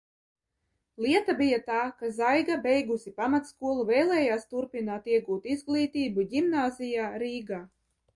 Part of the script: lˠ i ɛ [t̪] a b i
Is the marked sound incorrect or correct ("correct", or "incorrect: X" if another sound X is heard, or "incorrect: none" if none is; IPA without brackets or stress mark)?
correct